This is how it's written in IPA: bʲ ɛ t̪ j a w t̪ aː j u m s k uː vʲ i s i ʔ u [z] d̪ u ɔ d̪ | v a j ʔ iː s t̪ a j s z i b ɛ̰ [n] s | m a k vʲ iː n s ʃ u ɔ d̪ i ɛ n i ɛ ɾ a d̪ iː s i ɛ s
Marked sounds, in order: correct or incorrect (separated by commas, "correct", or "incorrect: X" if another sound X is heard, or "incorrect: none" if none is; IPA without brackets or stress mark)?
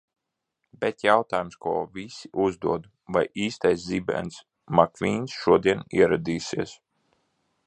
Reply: correct, correct